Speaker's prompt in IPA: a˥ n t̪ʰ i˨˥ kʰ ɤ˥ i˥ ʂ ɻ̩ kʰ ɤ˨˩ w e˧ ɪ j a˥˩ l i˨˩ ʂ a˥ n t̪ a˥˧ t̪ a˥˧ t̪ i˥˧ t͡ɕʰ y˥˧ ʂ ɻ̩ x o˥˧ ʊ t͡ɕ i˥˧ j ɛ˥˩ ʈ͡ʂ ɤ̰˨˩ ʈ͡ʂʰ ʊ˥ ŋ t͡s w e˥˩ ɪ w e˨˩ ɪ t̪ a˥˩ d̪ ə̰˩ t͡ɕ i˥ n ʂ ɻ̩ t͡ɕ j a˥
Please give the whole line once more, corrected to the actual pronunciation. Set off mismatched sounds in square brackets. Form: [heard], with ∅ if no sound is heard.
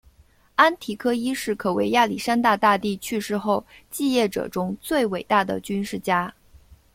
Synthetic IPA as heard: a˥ n t̪ʰ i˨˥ kʰ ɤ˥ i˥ ʂ ɻ̩ kʰ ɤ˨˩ w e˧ ɪ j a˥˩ l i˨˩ ʂ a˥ n t̪ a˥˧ t̪ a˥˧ t̪ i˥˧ t͡ɕʰ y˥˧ ʂ ɻ̩ x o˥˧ ʊ t͡ɕ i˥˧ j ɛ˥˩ ʈ͡ʂ ɤ̰˨˩ [ʈ͡ʂ] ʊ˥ ŋ t͡s w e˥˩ ɪ w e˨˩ ɪ t̪ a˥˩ d̪ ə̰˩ t͡ɕ [y˥] n ʂ ɻ̩ t͡ɕ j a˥

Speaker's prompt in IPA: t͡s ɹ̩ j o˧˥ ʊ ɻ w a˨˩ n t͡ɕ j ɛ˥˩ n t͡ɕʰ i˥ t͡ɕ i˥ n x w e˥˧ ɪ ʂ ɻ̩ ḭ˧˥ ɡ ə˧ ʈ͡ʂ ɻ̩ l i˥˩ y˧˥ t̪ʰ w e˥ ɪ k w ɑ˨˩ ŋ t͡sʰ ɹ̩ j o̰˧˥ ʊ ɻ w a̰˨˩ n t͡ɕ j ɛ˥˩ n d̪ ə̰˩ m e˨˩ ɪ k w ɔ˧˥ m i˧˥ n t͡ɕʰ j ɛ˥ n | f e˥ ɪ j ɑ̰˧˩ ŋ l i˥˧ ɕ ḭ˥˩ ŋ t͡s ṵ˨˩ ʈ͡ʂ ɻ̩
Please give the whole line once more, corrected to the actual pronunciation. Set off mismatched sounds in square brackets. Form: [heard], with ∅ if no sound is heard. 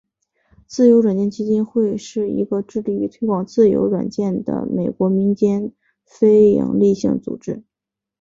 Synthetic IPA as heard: t͡s ɹ̩ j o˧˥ ʊ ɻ w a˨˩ n t͡ɕ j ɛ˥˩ n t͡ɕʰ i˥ t͡ɕ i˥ n x w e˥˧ ɪ ʂ ɻ̩ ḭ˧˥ ɡ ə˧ ʈ͡ʂ ɻ̩ l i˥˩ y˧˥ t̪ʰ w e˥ ɪ k w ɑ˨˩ ŋ [t͡s] ɹ̩ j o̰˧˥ ʊ ɻ w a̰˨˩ n t͡ɕ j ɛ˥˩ n d̪ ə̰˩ m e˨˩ ɪ k w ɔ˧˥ m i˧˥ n [t͡ɕ] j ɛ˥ n | f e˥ ɪ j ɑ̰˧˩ ŋ l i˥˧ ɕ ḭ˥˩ ŋ t͡s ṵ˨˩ ʈ͡ʂ ɻ̩

